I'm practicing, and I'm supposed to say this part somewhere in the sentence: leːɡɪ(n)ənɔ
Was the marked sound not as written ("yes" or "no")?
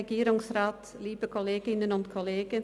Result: no